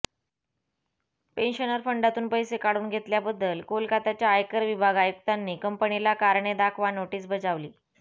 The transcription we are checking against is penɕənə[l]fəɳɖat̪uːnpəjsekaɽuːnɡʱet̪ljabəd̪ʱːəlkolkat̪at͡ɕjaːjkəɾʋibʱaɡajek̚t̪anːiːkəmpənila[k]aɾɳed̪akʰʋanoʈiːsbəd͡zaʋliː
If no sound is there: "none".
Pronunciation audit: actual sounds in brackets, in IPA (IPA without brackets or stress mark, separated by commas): ɾ, k